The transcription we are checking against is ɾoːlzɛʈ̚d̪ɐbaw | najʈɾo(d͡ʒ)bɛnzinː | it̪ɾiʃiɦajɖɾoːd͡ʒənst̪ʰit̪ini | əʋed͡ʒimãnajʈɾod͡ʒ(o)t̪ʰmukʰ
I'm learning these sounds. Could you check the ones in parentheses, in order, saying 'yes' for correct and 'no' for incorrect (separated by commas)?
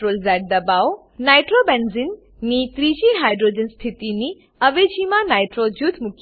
no, no